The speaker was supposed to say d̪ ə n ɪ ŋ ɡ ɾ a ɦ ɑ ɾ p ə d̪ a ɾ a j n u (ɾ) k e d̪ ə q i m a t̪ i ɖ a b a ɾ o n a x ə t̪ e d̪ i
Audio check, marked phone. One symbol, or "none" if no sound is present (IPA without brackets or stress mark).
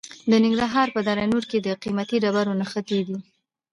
ɾ